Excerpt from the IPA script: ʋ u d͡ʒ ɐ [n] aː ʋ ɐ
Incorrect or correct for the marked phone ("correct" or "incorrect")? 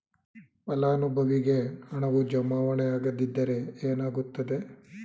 incorrect